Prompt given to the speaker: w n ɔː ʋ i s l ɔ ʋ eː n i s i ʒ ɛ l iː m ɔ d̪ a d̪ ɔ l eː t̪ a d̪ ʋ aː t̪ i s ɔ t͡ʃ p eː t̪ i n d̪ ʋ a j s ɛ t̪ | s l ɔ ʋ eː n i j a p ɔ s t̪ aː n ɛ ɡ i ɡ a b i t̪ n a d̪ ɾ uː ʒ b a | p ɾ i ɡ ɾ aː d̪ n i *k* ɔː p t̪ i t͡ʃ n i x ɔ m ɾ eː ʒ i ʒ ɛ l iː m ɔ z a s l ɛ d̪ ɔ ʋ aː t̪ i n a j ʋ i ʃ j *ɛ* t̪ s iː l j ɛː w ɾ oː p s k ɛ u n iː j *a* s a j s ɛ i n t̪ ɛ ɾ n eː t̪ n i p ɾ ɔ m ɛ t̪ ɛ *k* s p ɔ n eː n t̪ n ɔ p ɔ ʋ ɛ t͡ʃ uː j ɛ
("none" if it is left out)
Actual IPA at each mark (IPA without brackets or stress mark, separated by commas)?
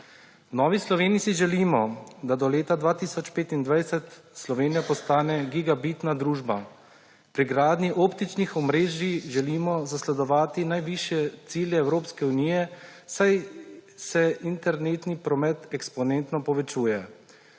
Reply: ʔ, ɛ, ɛ, k